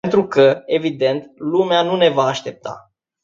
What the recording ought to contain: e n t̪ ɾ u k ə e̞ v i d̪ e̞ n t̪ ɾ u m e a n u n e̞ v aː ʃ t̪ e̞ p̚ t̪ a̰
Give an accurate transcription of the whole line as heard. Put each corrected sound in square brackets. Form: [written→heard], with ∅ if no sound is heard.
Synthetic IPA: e n t̪ ɾ u k ə e̞ v i d̪ e̞ n t̪ [ɾ→l] u m e a n u n e̞ v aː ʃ t̪ e̞ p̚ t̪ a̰